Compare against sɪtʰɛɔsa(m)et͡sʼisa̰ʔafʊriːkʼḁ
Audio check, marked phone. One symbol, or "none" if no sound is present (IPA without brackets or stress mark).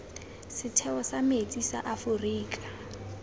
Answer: m